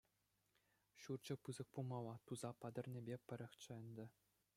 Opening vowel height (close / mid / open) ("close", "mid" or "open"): close